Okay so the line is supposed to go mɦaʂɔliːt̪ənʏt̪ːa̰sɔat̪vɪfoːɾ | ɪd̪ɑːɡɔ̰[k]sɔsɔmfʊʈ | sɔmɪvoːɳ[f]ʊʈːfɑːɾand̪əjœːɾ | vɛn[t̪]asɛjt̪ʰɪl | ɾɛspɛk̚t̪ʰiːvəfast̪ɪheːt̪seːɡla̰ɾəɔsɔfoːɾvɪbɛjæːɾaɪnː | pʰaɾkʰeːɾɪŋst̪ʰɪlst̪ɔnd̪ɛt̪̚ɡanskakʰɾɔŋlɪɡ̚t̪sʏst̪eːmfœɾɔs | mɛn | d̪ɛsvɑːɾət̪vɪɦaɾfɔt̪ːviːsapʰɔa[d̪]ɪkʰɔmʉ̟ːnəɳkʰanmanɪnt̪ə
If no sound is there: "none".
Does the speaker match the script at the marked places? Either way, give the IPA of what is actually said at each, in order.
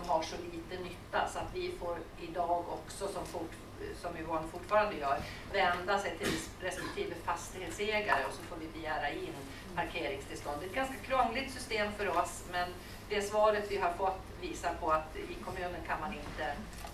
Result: k, f, d̪, t̪

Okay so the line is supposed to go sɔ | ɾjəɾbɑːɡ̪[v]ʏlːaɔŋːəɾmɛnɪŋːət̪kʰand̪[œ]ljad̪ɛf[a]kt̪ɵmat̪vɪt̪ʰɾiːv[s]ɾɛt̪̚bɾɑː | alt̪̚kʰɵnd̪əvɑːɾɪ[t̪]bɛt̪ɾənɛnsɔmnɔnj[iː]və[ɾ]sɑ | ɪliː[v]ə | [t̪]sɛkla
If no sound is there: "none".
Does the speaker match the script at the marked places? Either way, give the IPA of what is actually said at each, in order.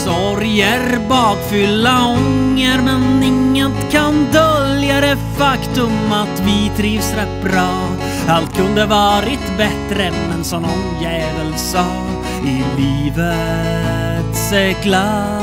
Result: f, œ, a, s, t̪, ɛː, l, v, t̪

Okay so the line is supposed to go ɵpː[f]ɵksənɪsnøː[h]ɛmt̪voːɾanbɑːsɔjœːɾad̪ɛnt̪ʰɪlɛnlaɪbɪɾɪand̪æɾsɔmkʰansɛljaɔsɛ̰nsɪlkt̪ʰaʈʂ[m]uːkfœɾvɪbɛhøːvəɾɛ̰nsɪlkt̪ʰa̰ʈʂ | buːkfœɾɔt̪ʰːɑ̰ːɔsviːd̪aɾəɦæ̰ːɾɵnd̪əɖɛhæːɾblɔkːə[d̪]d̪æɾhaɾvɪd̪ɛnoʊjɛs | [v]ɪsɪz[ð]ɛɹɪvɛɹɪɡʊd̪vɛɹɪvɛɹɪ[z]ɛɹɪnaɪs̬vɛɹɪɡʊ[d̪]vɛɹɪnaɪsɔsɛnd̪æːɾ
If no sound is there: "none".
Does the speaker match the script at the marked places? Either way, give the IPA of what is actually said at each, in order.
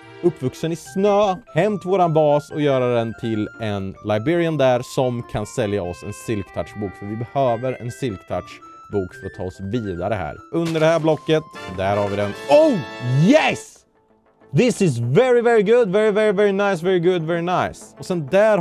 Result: v, h, b, t̪, ð, v, v, d̪

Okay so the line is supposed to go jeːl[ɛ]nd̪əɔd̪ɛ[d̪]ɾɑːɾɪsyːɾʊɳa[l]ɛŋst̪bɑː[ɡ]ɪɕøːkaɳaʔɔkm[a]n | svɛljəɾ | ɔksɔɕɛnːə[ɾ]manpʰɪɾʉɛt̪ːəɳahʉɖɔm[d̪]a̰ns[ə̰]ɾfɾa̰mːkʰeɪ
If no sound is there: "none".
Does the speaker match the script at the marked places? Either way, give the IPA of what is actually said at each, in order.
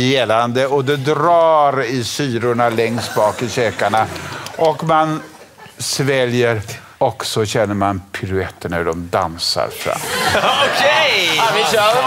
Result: a, d̪, l, k, a, ɾ, d̪, a̰

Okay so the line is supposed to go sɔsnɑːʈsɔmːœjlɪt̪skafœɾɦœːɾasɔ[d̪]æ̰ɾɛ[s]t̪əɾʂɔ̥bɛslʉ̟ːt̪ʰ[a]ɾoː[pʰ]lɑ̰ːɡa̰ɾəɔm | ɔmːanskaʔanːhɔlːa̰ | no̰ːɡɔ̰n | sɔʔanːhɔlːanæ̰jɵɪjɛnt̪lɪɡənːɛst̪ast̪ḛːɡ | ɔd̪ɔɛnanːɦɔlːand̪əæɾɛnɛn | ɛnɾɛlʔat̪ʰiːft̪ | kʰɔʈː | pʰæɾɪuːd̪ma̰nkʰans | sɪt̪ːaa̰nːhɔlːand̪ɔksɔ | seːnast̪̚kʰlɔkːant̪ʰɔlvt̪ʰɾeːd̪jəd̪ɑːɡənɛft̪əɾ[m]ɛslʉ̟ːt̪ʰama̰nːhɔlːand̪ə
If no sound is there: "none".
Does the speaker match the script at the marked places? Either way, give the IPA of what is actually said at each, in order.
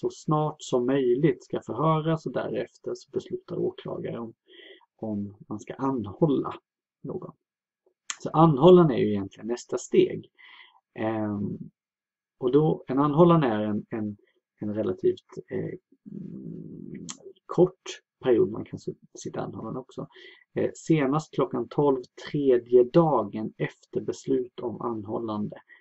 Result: d̪, f, a, kʰ, b

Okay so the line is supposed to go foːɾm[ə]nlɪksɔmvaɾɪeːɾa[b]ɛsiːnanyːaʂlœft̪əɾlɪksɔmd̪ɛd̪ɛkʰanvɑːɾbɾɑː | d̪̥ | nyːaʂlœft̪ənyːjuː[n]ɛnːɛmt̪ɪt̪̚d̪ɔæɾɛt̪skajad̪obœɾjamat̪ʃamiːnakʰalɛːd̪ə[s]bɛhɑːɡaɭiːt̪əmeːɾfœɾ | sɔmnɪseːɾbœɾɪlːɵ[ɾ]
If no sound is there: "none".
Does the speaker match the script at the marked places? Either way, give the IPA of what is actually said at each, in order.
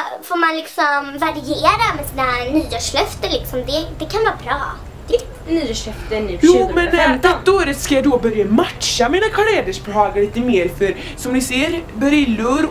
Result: a, m, m, ʂ, ɾ

